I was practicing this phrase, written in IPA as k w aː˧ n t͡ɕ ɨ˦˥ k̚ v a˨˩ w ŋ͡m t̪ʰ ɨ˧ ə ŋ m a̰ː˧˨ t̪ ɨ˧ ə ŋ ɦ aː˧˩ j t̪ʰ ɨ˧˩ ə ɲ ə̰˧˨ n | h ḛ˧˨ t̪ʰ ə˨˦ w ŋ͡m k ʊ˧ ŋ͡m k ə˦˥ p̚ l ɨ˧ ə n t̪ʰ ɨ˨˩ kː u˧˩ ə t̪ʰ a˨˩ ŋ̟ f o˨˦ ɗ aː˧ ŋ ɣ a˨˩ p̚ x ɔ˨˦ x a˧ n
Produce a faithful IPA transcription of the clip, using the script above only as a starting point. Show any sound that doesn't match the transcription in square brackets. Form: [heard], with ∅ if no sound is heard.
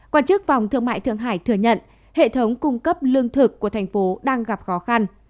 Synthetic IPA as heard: k w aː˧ n t͡ɕ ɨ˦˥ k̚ v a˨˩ w ŋ͡m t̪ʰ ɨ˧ ə ŋ m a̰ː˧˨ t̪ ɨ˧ ə ŋ ɦ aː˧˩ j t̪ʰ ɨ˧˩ ə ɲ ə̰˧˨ n | h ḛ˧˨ t̪ʰ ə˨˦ w ŋ͡m k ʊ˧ ŋ͡m k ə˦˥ p̚ l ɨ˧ ə [ŋ] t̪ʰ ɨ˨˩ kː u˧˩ ə t̪ʰ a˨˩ ŋ̟ f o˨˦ ɗ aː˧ ŋ ɣ a˨˩ p̚ x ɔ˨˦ x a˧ n